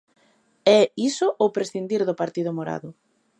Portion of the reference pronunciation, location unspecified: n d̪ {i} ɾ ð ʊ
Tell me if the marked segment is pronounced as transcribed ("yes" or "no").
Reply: yes